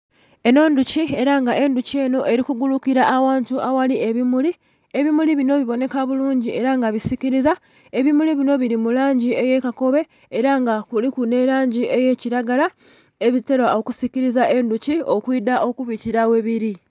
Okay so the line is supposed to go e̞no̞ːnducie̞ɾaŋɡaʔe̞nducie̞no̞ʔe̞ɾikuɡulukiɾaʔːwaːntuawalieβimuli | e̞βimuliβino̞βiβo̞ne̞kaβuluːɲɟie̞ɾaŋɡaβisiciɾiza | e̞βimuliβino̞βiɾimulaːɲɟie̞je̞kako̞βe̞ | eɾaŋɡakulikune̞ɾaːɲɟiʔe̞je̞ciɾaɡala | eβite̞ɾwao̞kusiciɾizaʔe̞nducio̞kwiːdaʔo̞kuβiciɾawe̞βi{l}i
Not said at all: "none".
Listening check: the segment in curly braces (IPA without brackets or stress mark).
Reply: ɾ